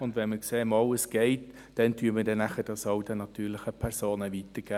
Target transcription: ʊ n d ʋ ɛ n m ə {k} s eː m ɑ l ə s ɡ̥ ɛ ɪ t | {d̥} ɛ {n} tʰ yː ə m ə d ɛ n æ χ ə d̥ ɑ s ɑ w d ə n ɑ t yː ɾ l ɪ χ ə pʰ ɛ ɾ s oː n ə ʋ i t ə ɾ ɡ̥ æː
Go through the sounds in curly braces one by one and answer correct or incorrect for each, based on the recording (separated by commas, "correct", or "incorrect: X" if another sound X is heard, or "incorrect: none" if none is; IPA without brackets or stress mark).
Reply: correct, correct, correct